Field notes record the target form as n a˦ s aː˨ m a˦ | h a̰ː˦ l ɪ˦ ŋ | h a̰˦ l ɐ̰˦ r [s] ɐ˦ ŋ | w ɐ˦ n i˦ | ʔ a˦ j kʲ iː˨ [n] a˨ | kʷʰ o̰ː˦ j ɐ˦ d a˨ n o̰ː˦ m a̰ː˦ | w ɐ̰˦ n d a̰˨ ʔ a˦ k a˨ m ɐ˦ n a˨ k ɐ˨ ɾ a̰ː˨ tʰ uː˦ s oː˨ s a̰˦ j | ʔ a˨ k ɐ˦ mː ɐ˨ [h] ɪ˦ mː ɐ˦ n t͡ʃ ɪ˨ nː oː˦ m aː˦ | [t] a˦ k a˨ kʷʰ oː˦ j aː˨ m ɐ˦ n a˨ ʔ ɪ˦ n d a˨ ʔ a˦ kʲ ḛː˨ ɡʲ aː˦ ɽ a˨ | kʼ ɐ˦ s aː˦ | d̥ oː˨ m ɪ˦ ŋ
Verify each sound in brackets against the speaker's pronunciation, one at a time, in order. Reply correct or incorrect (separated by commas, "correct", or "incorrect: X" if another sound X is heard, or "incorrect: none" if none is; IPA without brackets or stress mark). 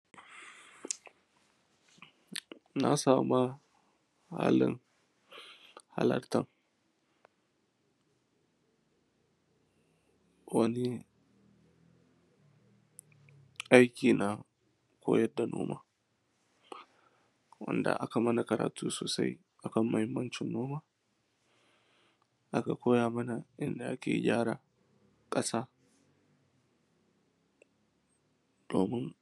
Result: incorrect: t, correct, correct, incorrect: ʔ